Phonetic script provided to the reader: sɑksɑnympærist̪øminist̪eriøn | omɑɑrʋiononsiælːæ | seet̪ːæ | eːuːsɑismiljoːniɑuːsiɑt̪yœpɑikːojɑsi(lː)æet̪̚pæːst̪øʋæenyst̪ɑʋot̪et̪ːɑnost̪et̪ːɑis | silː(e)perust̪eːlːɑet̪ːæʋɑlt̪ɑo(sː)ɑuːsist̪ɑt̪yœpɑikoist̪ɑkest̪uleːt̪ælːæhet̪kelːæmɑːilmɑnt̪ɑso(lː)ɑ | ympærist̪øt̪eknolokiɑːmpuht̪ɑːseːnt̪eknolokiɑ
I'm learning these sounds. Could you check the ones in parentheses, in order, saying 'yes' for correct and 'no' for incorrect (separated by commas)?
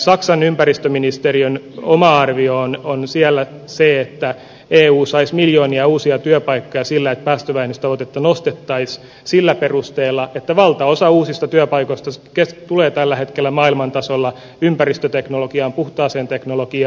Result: yes, no, no, yes